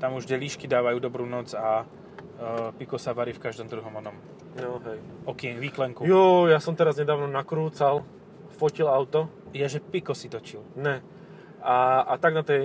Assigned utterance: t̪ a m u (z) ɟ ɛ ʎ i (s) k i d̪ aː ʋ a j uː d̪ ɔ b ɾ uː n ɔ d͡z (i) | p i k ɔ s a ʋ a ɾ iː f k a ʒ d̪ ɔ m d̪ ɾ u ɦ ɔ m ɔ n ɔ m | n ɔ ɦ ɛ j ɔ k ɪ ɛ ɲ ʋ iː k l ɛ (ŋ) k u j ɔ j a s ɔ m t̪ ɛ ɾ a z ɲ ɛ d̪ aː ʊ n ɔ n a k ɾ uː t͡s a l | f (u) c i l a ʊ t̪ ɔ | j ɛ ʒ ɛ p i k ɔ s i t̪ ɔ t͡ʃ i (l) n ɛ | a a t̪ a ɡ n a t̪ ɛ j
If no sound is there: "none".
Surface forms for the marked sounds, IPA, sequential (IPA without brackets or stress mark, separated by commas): ʒ, ʃ, a, ŋ, ɔ, l